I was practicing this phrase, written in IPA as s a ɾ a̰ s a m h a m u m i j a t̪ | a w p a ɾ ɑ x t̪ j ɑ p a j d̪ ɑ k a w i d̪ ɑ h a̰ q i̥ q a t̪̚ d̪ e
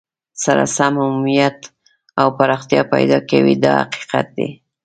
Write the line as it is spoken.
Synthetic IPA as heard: s a ɾ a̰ s a m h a m u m i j a t̪ | a w p a ɾ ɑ x t̪ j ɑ p a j d̪ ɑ k a w i d̪ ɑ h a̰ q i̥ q a t̪̚ d̪ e